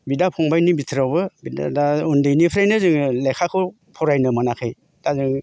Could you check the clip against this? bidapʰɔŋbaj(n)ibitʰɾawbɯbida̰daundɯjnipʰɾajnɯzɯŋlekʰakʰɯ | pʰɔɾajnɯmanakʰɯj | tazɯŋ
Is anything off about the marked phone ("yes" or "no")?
no